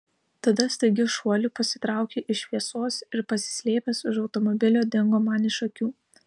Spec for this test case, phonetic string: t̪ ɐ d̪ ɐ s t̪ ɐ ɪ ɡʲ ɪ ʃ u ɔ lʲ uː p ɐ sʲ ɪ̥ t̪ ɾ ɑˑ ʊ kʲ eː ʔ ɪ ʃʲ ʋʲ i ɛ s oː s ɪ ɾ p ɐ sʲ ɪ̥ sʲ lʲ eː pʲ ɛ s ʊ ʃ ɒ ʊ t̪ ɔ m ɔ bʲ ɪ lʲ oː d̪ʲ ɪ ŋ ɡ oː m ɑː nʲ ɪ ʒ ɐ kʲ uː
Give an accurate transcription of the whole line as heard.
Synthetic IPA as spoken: t̪ ɐ d̪ ɐ s t̪ ɐ ɪ ɡʲ ɪ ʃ u ɔ lʲ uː p ɐ sʲ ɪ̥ t̪ ɾ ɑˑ ʊ kʲ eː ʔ ɪ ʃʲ ʋʲ i ɛ s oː s ɪ ɾ p ɐ sʲ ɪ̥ sʲ lʲ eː pʲ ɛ s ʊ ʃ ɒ ʊ t̪ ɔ m ɔ bʲ ɪ lʲ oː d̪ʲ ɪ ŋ ɡ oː m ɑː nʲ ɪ ʃ ɐ kʲ uː